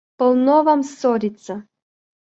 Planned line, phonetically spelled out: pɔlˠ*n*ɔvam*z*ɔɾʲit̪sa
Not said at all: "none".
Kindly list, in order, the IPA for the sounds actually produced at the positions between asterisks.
n, s

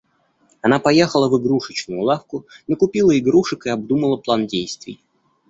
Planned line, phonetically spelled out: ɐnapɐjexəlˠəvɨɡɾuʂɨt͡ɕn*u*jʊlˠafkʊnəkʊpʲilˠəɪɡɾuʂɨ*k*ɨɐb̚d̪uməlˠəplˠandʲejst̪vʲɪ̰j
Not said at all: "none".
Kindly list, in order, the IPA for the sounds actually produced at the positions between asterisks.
ʊ, k

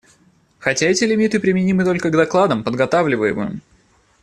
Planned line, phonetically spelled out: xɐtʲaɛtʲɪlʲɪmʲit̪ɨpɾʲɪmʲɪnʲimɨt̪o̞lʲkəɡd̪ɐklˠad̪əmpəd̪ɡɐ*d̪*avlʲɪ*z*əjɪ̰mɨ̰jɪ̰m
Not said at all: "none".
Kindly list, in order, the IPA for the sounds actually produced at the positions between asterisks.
t̪, v

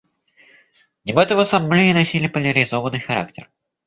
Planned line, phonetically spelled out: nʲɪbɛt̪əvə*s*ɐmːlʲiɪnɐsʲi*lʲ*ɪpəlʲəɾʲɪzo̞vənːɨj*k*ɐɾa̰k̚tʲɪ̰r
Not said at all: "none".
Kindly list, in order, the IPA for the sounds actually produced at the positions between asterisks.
s, lʲ, x

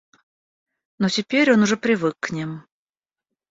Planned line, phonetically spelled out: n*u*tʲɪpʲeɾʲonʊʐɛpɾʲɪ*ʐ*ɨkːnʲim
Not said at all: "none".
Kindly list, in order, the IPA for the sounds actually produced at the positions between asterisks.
o, v

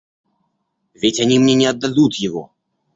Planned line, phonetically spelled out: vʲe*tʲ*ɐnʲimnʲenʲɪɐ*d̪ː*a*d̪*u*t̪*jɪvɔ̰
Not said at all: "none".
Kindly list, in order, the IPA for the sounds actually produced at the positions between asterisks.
tʲ, d̪ː, d̪, t̪

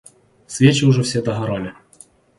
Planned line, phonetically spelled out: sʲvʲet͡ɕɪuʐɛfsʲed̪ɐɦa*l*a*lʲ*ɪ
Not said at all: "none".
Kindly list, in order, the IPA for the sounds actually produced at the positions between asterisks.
ɾ, lʲ

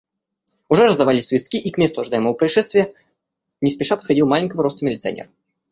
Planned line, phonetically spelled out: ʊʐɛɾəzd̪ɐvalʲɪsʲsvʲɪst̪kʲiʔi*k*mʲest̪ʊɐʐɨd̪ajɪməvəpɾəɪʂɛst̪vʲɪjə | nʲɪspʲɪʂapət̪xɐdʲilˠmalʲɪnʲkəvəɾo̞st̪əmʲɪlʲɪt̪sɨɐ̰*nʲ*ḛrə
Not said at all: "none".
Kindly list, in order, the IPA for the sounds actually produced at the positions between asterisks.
k, nʲ

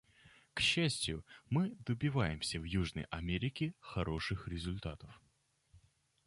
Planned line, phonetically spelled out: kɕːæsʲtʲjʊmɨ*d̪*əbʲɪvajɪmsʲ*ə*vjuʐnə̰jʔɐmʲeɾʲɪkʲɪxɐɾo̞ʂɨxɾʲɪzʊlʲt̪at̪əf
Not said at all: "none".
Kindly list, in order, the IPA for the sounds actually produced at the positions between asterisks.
d̪, ə

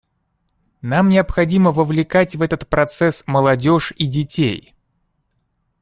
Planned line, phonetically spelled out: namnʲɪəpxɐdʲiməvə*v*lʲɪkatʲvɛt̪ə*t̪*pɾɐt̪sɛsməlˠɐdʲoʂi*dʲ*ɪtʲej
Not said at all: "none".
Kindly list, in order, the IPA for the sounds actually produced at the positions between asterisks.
v, t̪, dʲ

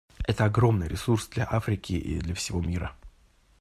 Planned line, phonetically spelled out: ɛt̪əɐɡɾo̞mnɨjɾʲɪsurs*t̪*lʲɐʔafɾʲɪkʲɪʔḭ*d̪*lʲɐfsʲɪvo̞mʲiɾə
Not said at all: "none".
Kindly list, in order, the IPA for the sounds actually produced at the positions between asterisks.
d̪, d̪

